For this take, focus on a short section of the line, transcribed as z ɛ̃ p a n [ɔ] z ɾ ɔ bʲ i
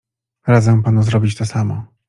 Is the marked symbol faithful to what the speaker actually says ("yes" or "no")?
no